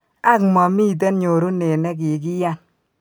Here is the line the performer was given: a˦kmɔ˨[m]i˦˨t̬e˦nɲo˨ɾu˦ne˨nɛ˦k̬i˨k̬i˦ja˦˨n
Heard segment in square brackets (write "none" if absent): m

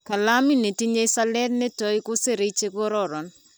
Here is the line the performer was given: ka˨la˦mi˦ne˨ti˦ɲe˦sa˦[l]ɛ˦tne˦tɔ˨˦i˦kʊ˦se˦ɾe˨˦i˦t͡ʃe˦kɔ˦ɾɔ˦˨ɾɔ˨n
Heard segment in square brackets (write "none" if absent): l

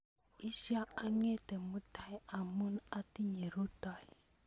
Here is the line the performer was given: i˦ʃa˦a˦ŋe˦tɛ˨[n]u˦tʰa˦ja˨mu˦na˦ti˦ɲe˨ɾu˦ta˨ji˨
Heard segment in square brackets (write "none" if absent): m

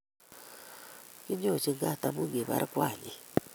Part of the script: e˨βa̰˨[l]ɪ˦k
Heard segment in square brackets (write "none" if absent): ɾ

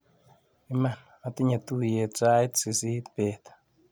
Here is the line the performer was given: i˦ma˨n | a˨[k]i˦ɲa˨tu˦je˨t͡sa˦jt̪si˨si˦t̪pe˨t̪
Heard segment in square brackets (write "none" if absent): t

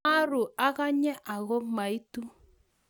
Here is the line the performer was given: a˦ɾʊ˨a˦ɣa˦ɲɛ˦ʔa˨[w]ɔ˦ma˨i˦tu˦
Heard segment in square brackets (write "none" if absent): ɣ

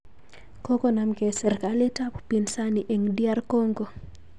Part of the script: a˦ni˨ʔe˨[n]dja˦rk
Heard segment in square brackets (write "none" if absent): ŋ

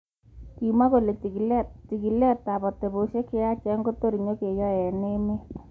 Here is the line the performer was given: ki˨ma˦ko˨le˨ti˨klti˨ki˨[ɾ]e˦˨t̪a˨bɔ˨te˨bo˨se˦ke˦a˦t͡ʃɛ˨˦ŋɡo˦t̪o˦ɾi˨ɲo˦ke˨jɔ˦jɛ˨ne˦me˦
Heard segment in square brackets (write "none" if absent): l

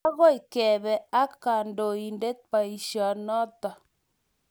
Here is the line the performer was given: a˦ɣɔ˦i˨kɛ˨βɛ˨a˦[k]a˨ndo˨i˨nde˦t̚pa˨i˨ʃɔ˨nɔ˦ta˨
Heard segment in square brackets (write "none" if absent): k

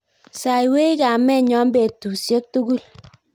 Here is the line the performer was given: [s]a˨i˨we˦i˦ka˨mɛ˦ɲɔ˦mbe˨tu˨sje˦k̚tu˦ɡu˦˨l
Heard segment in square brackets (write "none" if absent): s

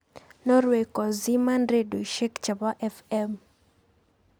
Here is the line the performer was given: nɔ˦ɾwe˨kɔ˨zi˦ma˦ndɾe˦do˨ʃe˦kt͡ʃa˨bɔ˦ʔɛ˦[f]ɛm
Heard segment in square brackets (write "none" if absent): f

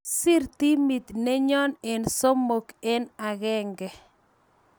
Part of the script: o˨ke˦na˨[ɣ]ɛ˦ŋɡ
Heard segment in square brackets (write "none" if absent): ɣ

